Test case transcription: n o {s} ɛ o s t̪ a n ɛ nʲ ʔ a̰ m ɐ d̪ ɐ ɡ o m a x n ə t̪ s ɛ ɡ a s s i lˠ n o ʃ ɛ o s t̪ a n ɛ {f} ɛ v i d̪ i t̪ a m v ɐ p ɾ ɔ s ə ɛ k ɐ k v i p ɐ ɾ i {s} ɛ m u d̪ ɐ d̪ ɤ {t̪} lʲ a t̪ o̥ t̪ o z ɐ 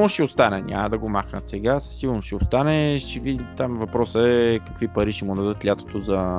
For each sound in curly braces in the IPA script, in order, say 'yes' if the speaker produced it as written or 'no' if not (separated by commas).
no, no, no, yes